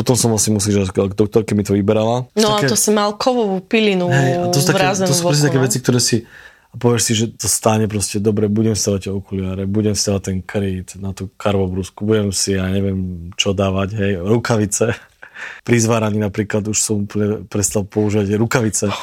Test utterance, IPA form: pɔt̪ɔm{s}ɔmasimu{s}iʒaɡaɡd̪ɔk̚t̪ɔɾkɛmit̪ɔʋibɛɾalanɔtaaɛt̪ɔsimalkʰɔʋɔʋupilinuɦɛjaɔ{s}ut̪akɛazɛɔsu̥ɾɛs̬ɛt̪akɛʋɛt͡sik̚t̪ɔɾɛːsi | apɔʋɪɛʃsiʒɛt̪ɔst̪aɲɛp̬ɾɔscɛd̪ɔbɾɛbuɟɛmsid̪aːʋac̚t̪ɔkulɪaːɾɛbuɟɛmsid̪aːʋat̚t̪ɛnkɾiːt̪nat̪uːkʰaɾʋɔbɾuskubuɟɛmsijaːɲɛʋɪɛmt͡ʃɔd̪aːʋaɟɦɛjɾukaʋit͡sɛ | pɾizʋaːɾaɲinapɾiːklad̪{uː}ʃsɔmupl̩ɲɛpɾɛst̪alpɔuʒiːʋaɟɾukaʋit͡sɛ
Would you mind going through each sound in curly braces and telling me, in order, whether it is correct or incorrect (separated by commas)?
correct, correct, correct, incorrect